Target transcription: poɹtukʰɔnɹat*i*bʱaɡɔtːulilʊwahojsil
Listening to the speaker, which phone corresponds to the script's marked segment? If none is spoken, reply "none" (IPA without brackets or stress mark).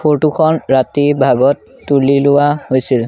i